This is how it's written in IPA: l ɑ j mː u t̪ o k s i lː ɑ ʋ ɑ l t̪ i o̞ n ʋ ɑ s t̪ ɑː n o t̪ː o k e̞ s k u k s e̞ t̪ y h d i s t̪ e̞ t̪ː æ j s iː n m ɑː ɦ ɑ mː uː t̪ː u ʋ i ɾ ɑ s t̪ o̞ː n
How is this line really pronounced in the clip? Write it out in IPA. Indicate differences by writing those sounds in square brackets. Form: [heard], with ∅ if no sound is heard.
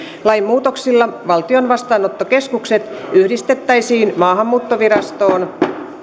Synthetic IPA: l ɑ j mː [uː] t̪ o k s i lː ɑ ʋ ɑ l t̪ i o̞ n ʋ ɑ s t̪ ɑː n o t̪ː o k e̞ s k u k s e̞ t̪ y h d i s t̪ e̞ t̪ː æ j s iː n m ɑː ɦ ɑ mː uː t̪ː [o] ʋ i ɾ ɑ s t̪ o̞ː n